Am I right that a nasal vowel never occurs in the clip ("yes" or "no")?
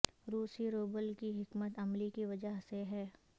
yes